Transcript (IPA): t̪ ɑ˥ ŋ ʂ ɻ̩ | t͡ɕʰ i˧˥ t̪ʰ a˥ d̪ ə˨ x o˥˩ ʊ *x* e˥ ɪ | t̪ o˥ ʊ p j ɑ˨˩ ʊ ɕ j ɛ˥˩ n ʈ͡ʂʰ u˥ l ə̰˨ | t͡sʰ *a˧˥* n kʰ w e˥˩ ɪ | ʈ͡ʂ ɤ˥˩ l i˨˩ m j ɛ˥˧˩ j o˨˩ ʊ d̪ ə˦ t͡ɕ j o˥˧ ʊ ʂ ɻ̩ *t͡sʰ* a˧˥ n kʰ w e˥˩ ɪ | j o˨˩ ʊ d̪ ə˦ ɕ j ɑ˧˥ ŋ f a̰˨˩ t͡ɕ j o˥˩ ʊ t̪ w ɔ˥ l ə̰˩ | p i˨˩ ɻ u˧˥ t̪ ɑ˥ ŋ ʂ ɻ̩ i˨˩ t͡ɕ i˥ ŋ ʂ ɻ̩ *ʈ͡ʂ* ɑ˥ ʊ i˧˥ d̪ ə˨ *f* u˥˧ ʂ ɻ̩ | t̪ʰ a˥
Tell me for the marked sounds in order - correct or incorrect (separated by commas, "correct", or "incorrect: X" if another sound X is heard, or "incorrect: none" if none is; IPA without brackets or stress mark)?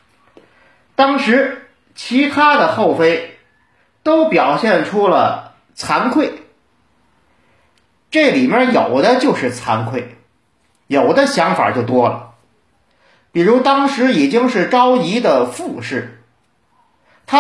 incorrect: f, correct, correct, correct, correct